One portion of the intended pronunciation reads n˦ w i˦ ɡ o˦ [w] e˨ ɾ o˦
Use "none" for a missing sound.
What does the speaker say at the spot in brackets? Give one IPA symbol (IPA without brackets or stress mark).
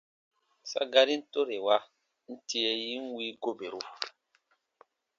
b